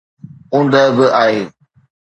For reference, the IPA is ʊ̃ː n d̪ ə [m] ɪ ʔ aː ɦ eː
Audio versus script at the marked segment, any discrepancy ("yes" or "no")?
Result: yes